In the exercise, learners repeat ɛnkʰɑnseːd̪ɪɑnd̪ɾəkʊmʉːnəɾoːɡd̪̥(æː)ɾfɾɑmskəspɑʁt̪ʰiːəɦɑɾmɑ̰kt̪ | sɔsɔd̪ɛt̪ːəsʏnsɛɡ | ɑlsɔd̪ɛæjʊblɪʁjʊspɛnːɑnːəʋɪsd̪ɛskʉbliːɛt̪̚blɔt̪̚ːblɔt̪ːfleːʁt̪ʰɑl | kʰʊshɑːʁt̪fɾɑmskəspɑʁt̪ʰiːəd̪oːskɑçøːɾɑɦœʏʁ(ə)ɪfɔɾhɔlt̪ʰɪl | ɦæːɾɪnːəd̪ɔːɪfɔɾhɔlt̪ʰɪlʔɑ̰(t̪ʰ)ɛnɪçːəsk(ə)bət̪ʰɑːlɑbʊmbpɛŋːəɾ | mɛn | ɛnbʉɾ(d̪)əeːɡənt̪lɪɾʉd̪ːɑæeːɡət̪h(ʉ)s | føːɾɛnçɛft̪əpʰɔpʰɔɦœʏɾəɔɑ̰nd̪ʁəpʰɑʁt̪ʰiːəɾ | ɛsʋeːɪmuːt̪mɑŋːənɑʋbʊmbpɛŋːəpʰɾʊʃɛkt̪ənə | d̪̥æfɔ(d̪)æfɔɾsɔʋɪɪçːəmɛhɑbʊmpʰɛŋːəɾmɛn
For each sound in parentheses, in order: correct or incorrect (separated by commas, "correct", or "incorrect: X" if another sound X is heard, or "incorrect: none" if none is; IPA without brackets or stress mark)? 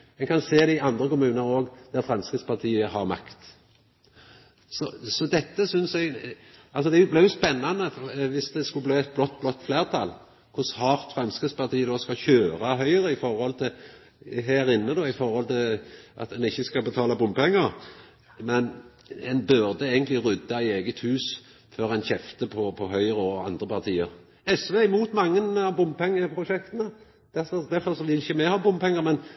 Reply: incorrect: æ, correct, incorrect: t̪, incorrect: ɑ, correct, incorrect: ʉː, correct